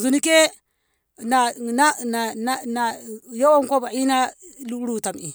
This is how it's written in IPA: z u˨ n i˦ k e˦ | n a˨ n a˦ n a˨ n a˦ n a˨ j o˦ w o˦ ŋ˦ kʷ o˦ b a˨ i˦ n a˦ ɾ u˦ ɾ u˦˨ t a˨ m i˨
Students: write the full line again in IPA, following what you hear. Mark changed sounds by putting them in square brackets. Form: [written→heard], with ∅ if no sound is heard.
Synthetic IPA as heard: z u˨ n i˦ k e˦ | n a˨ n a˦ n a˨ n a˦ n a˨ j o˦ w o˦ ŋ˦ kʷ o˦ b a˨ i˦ n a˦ [ɾ→l] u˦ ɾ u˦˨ t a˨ m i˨